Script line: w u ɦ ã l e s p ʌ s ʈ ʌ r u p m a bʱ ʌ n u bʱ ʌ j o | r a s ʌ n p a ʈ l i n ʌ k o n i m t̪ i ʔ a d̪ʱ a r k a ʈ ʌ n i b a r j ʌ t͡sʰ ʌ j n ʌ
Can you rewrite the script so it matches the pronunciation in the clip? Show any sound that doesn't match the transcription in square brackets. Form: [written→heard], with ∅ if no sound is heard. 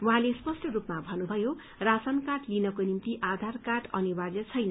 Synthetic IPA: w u ɦ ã l e s p ʌ s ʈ ʌ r u p m a bʱ ʌ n u bʱ ʌ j o | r a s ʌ n [p→k] a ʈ l i n ʌ k o n i m t̪ i ʔ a d̪ʱ a r k a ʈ ʌ n i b a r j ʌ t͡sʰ ʌ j n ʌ